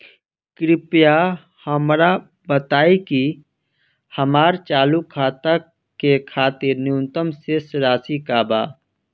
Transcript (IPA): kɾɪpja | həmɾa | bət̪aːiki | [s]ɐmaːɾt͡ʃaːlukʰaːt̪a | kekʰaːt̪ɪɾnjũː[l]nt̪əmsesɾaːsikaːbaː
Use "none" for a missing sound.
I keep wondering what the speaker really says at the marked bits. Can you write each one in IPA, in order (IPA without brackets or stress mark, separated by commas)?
h, none